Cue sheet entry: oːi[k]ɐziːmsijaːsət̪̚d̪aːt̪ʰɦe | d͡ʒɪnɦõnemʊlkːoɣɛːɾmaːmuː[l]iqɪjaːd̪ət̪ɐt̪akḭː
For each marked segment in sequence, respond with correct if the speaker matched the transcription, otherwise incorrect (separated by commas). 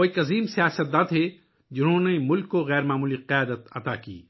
correct, correct